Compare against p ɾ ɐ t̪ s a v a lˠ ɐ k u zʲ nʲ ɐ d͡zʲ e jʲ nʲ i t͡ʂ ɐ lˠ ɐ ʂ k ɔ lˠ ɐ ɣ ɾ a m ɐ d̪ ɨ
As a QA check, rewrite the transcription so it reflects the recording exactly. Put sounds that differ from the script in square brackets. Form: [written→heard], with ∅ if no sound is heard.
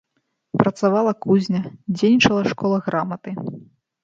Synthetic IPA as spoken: p ɾ ɐ t̪ s a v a lˠ ɐ k u zʲ nʲ ɐ d͡zʲ e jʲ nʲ i t͡ʂ ɐ lˠ ɐ ʂ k ɔ lˠ ɐ ɣ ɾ a m ɐ [d̪→t̪] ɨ